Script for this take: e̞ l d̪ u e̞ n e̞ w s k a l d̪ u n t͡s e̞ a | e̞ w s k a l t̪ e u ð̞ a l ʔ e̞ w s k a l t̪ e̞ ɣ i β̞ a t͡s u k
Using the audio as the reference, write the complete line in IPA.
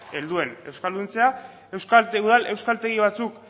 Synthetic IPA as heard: e̞ l d̪ u e̞ n e̞ w s k a l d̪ u n t͡s e̞ a | e̞ w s k a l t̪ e u ð̞ a l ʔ e̞ w s k a l t̪ e̞ ɣ i β̞ a t͡s u k